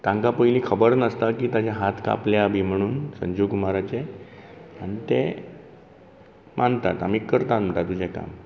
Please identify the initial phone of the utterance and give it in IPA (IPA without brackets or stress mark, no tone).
t̪